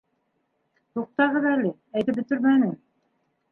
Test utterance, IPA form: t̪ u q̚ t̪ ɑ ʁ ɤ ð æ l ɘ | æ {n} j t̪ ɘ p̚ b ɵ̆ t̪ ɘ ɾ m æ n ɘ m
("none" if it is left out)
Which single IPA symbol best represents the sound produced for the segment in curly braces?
none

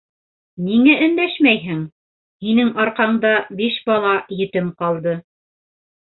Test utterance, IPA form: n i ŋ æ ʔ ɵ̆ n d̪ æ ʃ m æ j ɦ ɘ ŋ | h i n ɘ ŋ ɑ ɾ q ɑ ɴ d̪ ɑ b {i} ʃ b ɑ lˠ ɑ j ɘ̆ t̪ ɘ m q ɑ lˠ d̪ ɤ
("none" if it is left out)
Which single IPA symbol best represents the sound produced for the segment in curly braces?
i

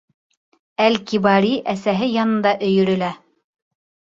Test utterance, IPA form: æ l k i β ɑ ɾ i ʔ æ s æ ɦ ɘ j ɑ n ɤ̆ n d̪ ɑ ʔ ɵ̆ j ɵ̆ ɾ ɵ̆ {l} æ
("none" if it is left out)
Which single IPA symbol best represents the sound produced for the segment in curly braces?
l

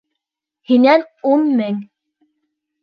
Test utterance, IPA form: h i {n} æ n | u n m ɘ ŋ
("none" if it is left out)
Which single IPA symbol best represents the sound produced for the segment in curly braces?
n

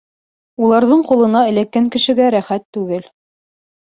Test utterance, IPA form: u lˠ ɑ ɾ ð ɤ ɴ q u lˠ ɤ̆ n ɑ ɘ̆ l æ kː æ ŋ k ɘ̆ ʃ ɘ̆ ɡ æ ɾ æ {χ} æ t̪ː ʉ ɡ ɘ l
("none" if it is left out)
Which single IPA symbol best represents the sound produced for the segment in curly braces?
χ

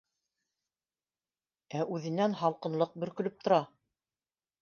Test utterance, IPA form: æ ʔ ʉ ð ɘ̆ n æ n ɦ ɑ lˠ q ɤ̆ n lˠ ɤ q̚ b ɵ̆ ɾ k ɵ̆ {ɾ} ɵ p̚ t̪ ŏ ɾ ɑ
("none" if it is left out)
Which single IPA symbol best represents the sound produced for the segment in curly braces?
l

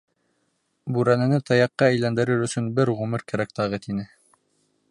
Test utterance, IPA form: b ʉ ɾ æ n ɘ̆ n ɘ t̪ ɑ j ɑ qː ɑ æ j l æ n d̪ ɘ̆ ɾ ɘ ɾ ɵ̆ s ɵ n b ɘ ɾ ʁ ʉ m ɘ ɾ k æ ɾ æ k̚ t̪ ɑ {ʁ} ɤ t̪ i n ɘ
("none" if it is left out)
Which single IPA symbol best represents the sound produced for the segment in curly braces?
ʁ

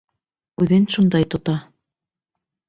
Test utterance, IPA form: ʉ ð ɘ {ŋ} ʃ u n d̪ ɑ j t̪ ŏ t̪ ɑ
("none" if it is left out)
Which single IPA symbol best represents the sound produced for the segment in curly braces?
n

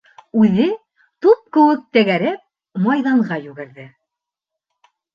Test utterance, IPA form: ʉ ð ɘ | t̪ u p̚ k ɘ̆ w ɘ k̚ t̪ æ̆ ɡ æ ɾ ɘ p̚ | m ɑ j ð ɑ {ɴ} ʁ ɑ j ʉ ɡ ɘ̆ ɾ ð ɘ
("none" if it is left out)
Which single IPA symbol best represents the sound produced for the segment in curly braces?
ɴ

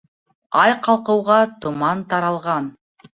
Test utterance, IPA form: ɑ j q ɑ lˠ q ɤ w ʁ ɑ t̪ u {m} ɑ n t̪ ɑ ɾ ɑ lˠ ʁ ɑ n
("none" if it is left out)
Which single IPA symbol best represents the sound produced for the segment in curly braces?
m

